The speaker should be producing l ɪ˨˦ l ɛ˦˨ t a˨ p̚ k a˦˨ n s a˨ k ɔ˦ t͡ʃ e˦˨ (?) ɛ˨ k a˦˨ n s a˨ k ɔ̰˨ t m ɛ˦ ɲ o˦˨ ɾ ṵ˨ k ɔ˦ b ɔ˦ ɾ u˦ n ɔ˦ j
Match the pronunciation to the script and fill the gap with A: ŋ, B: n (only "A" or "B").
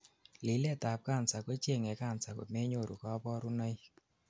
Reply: A